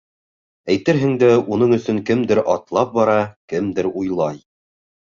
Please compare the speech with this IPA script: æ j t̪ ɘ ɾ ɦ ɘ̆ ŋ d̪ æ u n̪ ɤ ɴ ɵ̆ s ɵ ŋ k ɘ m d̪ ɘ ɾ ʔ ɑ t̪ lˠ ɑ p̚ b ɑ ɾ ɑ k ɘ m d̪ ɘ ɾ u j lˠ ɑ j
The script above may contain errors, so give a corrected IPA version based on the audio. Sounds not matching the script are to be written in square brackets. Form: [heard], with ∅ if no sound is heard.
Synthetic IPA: æ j t̪ ɘ ɾ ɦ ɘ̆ ŋ d̪ æ u n̪ ɤ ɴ ɵ̆ s ɵ ŋ k ɘ m d̪ ɘ ɾ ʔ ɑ t̪ lˠ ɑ p̚ b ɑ ɾ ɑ k ɘ m d̪ ɘ ɾ u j lˠ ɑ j